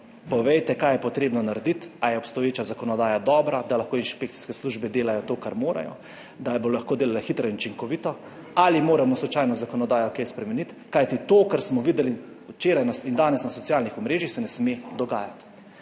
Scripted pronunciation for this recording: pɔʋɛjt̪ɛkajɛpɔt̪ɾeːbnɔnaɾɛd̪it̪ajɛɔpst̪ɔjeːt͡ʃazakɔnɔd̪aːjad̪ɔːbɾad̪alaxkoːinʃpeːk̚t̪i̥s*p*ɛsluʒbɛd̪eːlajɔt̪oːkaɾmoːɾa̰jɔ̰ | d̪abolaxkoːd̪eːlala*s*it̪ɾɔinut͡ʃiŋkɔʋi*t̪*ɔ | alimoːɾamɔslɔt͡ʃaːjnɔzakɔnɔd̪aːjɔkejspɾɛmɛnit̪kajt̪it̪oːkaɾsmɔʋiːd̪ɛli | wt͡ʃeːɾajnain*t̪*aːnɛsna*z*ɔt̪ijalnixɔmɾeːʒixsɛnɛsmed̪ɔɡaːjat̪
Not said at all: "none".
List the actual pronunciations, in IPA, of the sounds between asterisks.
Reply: k, x, t̪, d̪, s

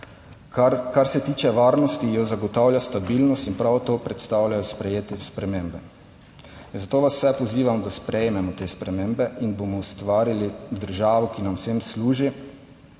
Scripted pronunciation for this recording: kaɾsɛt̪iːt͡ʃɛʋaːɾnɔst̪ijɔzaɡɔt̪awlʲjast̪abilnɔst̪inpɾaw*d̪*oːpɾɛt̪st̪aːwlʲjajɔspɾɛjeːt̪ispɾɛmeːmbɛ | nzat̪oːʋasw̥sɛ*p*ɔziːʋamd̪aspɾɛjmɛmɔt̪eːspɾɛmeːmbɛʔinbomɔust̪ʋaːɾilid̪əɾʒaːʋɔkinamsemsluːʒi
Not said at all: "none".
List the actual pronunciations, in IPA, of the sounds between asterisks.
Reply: t̪, p

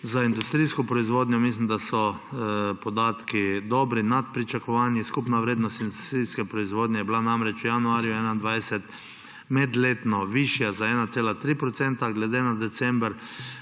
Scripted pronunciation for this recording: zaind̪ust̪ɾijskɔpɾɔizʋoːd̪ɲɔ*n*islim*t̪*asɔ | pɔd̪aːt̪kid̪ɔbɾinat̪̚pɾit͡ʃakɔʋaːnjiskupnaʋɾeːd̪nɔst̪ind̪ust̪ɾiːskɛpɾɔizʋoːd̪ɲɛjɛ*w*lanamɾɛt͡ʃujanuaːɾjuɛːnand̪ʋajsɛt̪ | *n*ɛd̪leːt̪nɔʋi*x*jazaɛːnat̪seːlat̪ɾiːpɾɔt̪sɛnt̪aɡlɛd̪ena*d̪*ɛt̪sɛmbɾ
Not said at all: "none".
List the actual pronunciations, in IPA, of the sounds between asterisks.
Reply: m, d̪, b, m, ʃ, d̪

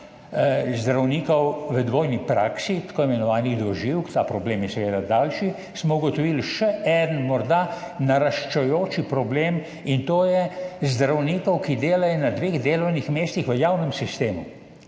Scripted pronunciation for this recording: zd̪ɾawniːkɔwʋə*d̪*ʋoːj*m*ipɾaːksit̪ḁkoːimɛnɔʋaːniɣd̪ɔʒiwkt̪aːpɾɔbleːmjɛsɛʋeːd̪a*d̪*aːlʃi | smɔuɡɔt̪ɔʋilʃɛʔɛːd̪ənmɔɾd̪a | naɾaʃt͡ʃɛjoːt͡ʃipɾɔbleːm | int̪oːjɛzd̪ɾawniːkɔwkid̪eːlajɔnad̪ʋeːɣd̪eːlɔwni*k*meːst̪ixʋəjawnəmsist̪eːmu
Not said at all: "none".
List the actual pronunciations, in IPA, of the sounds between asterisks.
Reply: d̪, n, d̪, x

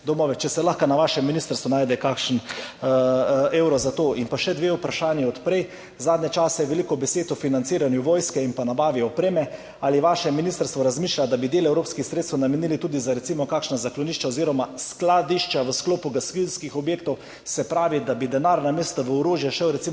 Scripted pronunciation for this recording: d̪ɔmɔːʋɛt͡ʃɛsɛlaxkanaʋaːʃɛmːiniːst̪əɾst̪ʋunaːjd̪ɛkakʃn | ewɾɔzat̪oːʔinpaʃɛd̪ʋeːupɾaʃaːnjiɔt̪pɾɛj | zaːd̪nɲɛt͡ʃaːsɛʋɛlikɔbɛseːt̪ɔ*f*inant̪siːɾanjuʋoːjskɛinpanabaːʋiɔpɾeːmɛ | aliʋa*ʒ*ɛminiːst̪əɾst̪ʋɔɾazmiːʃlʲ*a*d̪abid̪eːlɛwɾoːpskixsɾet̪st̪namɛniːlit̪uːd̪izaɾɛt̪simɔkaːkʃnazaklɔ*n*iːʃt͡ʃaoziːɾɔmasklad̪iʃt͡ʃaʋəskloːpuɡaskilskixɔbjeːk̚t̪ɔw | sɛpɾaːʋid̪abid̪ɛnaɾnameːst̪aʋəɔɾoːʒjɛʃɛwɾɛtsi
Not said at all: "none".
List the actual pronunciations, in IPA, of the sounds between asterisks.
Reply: f, ʃ, a, n

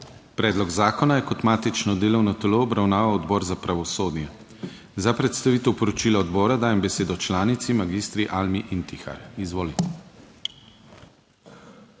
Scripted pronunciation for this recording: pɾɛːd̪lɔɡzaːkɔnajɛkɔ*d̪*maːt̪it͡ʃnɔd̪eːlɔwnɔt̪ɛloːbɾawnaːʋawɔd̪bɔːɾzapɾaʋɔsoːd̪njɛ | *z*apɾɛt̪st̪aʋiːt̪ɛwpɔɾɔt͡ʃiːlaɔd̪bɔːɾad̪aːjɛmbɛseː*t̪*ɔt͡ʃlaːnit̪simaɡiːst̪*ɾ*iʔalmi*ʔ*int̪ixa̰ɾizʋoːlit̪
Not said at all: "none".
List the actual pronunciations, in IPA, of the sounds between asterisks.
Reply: t̪, z, d̪, ɾ, ʔ

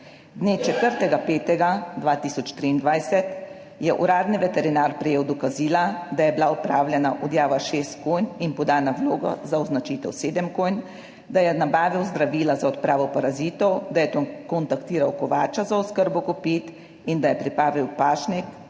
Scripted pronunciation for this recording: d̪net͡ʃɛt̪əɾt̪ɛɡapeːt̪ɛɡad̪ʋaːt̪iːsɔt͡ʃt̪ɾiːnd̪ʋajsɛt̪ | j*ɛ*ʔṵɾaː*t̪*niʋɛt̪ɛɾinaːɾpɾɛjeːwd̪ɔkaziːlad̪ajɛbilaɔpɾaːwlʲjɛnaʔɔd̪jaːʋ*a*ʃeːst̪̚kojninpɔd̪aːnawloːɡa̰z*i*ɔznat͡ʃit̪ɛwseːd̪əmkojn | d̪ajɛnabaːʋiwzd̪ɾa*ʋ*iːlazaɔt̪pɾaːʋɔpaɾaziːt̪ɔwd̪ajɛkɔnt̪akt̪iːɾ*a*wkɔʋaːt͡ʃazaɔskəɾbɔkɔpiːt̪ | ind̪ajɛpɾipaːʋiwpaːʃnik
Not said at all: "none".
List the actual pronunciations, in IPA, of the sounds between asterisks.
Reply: ɛ, d̪, a, a, ʋ, a

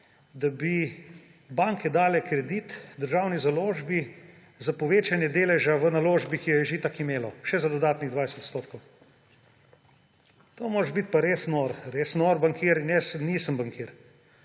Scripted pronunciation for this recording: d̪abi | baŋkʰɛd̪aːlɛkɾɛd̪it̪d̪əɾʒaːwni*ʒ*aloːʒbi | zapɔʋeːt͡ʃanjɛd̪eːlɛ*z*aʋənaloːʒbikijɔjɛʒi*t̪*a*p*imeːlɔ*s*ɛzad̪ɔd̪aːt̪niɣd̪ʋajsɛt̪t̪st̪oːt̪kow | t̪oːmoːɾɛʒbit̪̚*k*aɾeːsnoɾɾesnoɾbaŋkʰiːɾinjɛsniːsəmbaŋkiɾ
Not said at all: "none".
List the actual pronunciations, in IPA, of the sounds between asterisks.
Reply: z, ʒ, t̪, k, ʃ, p

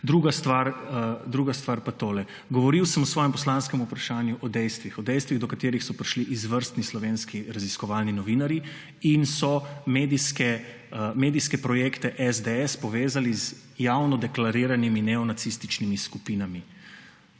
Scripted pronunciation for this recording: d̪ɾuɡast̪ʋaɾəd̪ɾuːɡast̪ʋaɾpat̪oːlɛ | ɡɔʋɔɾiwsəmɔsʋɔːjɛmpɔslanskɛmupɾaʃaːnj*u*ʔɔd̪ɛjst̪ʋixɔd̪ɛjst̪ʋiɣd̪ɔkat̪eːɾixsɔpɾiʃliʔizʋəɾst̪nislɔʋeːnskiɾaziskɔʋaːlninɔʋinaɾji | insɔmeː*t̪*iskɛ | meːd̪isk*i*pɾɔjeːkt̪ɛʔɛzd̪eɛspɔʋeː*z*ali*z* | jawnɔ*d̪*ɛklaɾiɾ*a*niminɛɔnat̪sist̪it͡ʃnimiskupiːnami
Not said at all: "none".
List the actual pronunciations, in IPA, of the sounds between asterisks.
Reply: u, d̪, ɛ, z, z, d̪, a

